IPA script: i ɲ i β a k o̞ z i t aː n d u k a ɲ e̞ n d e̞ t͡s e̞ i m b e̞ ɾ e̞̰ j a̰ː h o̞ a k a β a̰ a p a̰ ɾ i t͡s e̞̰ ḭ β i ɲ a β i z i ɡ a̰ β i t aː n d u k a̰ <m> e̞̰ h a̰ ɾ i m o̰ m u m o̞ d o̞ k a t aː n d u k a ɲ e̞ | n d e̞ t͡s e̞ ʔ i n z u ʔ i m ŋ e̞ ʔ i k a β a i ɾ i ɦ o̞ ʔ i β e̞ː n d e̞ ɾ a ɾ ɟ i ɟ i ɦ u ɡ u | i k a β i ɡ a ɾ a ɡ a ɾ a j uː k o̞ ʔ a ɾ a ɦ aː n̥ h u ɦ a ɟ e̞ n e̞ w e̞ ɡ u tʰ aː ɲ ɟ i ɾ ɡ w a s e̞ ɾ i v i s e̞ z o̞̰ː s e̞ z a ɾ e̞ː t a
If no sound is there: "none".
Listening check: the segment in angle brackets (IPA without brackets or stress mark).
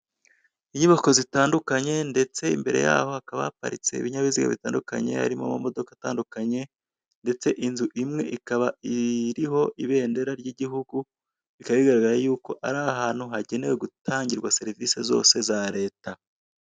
ɲ